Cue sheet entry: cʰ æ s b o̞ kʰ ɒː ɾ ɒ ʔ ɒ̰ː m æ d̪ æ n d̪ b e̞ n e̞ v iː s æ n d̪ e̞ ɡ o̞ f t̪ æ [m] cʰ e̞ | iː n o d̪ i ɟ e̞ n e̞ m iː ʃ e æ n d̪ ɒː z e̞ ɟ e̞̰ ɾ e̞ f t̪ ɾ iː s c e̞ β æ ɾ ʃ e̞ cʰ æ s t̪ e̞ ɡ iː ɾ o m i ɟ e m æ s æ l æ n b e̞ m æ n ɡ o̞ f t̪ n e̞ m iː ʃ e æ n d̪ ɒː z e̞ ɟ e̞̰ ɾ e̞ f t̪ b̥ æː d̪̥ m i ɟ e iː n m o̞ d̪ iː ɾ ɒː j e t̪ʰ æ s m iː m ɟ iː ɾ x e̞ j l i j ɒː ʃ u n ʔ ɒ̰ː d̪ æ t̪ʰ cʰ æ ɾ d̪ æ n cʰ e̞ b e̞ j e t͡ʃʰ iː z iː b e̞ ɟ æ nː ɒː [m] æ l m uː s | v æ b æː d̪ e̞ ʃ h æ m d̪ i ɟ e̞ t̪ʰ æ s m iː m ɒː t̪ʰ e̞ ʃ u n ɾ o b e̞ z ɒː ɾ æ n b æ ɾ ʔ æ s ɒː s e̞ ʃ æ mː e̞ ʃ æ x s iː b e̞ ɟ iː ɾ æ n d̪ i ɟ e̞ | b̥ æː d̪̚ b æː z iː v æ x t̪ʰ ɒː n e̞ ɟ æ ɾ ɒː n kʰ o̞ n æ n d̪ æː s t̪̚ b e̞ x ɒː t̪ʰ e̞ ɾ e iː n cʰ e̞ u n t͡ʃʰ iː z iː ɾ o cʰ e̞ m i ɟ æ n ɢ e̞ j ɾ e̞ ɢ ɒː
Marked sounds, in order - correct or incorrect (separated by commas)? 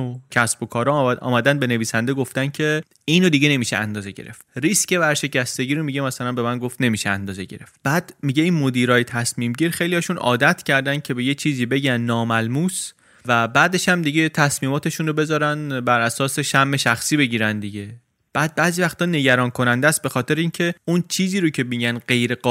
incorrect, correct